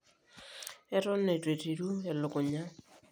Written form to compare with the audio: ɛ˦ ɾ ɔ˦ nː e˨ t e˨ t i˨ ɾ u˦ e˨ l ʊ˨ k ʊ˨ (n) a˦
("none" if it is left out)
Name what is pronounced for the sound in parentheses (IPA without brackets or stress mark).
ɲ